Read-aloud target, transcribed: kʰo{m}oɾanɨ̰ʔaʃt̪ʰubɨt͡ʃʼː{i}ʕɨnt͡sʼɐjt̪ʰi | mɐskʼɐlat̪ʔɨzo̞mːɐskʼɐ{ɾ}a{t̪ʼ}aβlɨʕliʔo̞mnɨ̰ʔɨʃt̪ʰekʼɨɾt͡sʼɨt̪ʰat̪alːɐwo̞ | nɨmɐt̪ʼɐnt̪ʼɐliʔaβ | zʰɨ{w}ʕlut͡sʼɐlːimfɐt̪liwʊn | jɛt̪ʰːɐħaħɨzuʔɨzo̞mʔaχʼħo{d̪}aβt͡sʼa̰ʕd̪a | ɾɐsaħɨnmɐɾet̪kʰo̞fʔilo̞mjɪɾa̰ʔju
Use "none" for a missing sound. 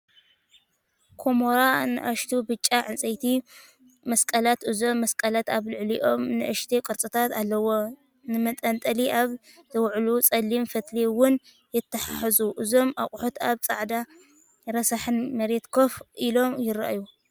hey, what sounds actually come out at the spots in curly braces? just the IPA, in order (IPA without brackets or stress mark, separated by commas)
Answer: m, a, l, t̪, w, t̪